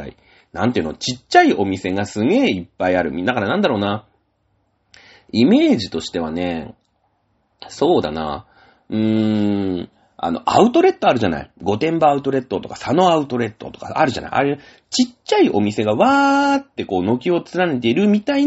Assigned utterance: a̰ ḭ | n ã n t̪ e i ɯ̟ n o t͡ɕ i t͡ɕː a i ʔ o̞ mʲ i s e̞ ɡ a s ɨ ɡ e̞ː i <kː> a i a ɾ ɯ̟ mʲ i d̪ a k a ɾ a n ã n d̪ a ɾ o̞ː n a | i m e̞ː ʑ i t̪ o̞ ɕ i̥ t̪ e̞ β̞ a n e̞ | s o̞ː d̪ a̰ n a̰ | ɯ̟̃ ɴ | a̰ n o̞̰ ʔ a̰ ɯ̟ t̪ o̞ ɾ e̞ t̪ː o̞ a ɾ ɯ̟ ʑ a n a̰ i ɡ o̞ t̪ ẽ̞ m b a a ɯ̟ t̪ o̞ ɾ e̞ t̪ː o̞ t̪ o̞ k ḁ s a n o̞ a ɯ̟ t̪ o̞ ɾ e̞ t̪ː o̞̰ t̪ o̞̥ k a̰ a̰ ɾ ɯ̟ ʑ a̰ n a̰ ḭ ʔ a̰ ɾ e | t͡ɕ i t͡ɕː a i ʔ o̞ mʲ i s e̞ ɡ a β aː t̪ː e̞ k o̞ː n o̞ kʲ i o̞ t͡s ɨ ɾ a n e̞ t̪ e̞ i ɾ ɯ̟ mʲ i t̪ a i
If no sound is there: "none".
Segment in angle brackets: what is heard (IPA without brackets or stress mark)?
pː